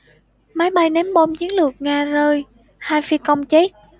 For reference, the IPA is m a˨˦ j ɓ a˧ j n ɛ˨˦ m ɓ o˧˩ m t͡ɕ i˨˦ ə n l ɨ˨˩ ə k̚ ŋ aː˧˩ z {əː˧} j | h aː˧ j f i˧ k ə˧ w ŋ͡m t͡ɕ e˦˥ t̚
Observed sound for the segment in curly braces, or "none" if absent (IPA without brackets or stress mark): əː˧